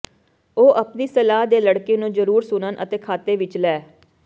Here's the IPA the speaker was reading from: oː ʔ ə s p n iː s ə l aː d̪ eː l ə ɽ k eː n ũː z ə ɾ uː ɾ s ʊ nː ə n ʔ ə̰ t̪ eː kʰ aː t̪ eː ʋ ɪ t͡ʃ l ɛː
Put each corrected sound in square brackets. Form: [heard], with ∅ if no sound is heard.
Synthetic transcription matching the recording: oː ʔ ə [∅] p n iː s ə l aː d̪ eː l ə ɽ k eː n ũː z ə ɾ uː ɾ s ʊ [n] ə n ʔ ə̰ t̪ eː kʰ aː t̪ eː ʋ ɪ t͡ʃ l ɛː